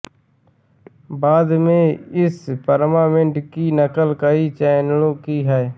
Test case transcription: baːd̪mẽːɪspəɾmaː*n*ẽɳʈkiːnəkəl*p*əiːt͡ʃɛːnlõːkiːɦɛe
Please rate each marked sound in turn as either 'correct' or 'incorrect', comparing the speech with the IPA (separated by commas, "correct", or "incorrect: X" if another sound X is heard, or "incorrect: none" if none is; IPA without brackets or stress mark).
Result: incorrect: m, incorrect: k